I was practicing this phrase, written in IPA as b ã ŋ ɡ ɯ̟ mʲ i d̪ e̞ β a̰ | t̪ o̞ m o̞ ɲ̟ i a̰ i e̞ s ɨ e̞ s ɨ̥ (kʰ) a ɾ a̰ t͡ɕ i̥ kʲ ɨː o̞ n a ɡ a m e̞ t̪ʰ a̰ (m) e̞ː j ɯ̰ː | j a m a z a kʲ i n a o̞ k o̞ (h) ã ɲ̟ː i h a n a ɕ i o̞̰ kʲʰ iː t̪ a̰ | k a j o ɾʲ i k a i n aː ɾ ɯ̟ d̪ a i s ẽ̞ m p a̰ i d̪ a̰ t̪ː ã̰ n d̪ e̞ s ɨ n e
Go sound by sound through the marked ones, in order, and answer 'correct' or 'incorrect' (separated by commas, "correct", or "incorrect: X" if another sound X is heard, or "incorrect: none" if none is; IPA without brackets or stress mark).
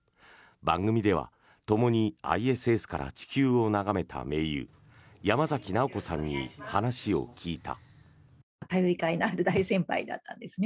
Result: incorrect: k, correct, incorrect: s